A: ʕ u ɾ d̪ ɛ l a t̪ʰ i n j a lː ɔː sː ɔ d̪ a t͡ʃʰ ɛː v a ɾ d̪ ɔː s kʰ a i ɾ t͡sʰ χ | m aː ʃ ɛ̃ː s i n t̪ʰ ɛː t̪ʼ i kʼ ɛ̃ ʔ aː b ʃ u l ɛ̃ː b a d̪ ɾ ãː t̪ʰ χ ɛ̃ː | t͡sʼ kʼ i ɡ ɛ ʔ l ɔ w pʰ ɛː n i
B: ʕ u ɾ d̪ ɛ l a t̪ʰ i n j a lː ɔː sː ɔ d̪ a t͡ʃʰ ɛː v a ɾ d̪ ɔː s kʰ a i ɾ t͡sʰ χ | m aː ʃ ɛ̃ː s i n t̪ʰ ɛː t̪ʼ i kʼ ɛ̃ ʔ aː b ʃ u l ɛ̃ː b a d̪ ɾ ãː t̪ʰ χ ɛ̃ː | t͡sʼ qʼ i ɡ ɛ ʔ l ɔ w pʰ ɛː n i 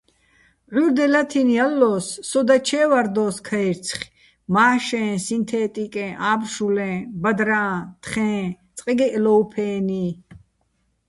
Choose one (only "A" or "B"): B